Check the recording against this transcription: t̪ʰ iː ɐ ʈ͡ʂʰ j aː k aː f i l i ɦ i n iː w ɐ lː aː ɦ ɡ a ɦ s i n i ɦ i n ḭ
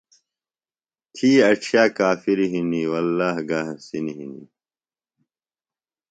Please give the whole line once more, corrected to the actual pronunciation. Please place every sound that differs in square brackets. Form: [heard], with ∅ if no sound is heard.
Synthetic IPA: t̪ʰ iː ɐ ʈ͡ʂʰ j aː k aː f i [ɾ] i ɦ i n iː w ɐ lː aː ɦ ɡ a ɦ s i n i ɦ i n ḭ